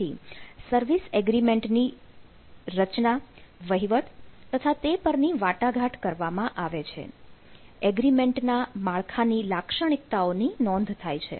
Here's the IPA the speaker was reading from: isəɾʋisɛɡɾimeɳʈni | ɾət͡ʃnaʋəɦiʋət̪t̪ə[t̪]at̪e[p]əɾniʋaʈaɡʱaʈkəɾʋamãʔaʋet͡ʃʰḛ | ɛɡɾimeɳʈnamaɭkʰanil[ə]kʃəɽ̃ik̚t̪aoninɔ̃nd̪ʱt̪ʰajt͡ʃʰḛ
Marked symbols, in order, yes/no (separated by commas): no, yes, no